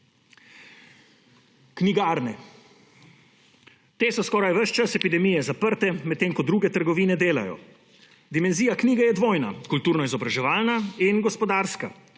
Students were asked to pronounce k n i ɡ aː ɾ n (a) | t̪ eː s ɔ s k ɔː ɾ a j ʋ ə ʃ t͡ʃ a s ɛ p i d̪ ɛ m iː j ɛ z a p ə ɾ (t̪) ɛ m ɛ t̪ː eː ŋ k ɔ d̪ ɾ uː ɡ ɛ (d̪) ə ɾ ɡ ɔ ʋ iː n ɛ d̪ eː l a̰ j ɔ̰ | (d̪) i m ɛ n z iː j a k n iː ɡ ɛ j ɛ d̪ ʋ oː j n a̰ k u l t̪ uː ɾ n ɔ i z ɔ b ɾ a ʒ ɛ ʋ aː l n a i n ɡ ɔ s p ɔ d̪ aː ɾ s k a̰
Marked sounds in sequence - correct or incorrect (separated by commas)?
incorrect, correct, incorrect, correct